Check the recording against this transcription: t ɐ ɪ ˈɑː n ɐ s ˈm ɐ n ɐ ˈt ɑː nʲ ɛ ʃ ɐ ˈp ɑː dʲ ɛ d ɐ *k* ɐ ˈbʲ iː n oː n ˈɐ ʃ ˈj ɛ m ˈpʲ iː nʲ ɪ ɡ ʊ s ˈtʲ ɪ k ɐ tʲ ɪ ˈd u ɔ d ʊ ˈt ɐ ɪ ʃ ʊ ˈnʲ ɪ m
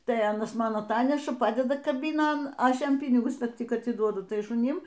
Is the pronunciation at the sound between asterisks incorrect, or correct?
correct